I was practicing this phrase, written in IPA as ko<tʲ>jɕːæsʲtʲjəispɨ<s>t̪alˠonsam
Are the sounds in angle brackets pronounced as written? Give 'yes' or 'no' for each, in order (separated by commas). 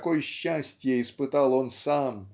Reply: no, no